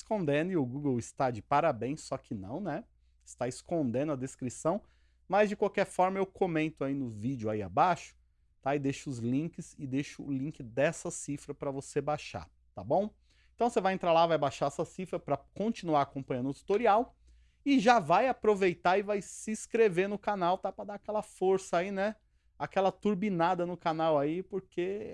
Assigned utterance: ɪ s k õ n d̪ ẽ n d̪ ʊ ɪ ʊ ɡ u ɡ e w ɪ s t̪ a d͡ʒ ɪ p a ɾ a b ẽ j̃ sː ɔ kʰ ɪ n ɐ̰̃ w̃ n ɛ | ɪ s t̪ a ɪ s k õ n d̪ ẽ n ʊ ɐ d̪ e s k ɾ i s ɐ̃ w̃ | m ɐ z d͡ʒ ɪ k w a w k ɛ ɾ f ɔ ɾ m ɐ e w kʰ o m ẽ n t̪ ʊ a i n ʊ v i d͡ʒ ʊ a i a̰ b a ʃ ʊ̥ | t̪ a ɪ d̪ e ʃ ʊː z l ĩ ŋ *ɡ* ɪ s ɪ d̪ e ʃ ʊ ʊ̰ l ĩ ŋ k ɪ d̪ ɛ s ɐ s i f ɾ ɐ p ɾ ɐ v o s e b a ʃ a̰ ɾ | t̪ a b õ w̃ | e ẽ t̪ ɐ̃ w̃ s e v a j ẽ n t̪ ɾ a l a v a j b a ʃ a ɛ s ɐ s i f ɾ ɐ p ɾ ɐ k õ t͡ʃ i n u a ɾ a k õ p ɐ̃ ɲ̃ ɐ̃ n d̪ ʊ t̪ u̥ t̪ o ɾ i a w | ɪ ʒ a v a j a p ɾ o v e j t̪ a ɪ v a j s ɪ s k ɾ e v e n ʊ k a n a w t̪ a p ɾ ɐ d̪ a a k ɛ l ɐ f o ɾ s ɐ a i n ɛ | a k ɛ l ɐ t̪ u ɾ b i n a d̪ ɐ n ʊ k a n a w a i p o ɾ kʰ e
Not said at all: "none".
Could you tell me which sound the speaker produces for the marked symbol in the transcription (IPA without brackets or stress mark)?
k